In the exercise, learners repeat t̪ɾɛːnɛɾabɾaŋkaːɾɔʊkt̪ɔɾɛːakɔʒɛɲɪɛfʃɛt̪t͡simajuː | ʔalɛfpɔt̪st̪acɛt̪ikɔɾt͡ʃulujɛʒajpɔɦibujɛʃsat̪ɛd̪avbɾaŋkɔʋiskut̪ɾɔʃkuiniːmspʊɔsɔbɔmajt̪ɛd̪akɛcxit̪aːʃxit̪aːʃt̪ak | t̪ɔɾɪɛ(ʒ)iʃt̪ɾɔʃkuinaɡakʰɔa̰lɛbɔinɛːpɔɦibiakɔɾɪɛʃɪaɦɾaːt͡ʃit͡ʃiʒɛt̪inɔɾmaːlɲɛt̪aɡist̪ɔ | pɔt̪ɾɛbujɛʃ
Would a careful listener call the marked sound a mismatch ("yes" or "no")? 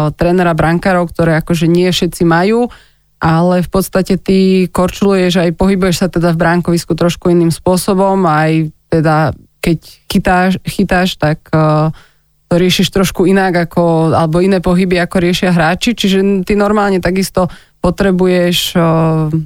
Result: yes